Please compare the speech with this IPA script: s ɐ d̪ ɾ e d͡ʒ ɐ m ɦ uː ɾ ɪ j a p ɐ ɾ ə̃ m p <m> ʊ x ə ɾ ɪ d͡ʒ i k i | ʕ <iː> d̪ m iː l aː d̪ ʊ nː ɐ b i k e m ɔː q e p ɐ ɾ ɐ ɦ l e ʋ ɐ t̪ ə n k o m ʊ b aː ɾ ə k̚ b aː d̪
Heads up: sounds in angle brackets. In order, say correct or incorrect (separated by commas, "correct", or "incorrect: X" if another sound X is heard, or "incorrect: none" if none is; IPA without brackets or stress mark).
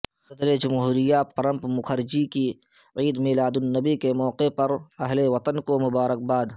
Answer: correct, correct